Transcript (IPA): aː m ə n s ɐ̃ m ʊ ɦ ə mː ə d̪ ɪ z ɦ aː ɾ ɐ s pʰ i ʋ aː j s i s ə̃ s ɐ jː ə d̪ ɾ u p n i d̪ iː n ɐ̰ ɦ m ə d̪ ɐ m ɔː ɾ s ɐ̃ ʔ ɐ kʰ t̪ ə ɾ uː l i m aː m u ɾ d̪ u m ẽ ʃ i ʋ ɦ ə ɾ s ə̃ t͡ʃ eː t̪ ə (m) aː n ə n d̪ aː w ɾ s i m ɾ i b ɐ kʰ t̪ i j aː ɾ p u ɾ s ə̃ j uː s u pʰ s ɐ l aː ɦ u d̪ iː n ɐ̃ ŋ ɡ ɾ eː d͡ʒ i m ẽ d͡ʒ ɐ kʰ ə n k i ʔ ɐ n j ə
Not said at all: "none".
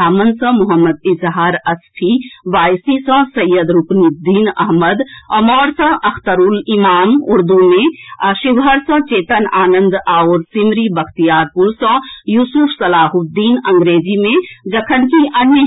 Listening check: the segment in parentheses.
n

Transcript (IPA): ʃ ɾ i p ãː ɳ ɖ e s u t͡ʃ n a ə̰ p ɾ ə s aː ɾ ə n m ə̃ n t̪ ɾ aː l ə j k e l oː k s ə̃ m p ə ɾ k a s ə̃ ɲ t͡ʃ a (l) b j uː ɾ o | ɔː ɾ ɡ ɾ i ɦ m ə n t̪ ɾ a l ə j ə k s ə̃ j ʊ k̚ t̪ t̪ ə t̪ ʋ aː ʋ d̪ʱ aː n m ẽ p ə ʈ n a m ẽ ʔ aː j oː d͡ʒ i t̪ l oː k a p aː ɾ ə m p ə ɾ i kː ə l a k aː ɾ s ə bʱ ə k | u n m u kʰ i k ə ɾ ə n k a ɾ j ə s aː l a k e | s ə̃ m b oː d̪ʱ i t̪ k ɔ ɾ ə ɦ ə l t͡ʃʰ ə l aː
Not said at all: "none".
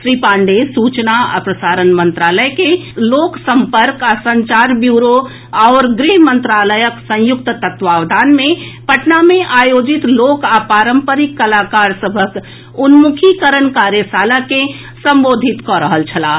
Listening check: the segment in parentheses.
ɾ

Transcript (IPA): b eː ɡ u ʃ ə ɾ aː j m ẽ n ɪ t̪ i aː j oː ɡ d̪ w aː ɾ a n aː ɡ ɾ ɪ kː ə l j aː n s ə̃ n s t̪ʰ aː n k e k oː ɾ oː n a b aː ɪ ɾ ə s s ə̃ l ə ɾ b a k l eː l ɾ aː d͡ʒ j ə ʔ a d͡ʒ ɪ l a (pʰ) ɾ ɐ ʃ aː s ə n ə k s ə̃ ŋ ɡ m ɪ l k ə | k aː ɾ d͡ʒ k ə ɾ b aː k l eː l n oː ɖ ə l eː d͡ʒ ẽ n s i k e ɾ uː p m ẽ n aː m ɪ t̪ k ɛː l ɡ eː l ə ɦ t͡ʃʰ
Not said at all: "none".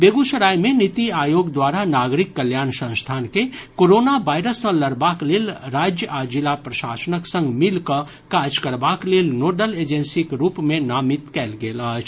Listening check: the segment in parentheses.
p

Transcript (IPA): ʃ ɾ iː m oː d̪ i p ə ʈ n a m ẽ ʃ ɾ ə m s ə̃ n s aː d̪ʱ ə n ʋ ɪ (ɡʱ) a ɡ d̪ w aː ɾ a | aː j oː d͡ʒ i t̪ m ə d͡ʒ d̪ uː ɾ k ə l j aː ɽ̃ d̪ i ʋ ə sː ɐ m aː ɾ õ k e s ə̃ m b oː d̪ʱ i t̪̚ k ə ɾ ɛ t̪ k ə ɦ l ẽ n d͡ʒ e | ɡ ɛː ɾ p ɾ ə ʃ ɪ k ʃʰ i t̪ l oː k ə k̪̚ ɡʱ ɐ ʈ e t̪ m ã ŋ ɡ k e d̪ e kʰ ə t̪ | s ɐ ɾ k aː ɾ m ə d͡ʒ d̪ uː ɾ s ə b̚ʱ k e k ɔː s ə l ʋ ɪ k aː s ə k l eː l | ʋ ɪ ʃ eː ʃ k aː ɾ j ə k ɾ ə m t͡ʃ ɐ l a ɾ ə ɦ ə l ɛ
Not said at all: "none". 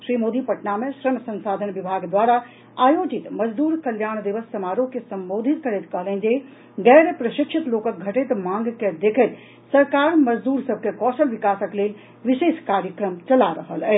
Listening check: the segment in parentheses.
bʱ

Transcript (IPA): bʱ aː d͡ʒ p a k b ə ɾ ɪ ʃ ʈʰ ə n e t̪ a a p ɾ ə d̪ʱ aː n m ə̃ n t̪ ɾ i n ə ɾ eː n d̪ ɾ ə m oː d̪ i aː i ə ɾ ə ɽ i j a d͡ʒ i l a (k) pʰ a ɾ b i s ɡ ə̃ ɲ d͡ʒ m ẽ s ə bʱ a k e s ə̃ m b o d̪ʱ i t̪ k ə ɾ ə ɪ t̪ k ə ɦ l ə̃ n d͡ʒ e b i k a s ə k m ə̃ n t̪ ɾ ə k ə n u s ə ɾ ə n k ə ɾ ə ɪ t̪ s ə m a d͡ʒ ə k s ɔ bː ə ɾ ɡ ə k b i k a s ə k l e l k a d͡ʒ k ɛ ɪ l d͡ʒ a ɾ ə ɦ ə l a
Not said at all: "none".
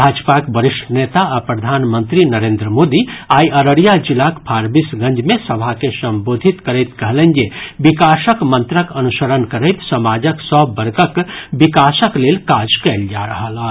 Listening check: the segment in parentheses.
k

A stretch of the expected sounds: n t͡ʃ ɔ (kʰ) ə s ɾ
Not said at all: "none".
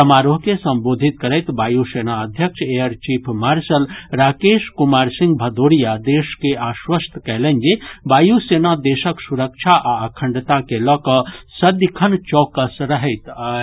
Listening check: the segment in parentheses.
k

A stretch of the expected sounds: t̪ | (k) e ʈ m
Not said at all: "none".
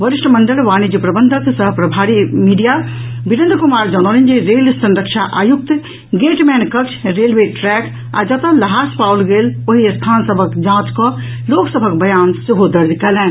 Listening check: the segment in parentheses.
ɡ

